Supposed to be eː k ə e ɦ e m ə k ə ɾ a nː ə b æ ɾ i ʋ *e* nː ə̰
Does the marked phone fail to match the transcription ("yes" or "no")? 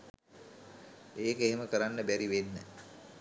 no